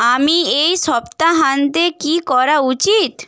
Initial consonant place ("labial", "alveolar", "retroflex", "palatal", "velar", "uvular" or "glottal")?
labial